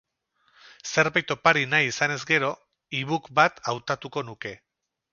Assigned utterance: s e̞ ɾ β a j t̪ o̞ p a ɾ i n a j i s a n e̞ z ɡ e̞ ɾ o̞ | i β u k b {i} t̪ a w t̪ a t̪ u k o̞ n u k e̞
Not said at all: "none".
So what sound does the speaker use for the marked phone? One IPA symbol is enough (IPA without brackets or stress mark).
a